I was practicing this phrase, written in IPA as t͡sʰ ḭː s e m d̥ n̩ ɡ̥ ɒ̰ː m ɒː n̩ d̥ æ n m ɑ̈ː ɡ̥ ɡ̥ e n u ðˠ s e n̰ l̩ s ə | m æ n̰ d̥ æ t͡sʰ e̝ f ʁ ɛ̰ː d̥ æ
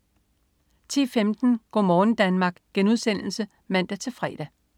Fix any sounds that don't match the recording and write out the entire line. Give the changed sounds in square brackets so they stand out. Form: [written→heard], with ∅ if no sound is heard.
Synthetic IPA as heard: t͡sʰ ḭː [s→f] e m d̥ n̩ ɡ̥ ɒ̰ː m ɒː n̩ d̥ æ n m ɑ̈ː ɡ̥ ɡ̥ e n u ðˠ s e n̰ l̩ s ə | m æ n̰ d̥ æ t͡sʰ e̝ f ʁ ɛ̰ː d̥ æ

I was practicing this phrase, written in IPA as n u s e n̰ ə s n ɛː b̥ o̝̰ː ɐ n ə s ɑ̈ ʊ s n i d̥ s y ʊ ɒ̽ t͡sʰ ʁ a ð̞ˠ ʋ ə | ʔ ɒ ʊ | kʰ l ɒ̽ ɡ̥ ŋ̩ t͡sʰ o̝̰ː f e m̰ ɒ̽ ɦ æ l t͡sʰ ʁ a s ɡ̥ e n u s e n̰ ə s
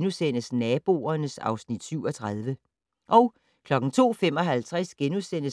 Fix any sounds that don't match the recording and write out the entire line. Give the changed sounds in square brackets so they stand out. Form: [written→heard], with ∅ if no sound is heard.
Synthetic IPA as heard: n u s e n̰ ə s n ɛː b̥ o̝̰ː ɐ n ə s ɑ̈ ʊ s n i d̥ s y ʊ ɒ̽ t͡sʰ ʁ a ð̞ˠ ʋ ə | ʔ ɒ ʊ | kʰ l ɒ̽ ɡ̥ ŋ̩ t͡sʰ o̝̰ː f e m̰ ɒ̽ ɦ æ l t͡sʰ ʁ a s ɡ̥ e n u s e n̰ ə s

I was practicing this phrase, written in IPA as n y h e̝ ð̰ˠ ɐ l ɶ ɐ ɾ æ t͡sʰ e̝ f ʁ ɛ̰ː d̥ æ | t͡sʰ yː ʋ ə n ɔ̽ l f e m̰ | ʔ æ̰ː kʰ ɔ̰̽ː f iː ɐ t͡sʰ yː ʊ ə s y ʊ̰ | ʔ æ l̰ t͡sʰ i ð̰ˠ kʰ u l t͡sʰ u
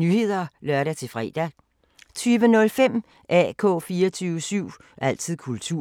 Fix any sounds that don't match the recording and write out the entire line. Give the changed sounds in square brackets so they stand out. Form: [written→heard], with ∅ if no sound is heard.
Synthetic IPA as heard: n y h e̝ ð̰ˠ ɐ l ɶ ɐ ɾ æ t͡sʰ e̝ f ʁ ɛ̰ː d̥ æ | t͡sʰ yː ʋ ə n ɔ̽ l f e m̰ | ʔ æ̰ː kʰ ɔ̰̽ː f iː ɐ t͡sʰ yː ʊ ə s y ʊ̰ | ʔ æ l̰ t͡sʰ i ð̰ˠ kʰ u l t͡sʰ u

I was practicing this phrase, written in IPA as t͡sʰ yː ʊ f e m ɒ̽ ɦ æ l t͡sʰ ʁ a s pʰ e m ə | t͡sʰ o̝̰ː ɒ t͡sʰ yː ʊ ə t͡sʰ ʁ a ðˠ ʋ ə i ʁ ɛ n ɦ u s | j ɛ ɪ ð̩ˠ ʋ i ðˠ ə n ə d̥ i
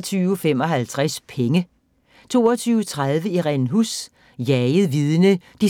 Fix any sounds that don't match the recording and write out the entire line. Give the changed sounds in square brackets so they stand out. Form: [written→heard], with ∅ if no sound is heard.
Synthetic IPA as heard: t͡sʰ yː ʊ f e m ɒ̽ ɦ æ l t͡sʰ ʁ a s pʰ e [m→ŋ] ə | t͡sʰ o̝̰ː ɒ t͡sʰ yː ʊ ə t͡sʰ ʁ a ðˠ ʋ ə i ʁ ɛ n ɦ u s | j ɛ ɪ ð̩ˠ ʋ i ðˠ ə n ə d̥ i

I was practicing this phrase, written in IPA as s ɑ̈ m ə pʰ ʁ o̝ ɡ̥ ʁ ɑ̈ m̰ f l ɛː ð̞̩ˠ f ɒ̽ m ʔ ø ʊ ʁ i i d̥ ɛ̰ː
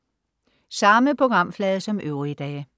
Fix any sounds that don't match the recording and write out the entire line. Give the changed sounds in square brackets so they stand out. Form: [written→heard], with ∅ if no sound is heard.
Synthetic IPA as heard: s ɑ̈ m ə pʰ ʁ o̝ ɡ̥ ʁ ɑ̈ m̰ f l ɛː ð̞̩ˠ [f→s] ɒ̽ m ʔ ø ʊ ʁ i i d̥ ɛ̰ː

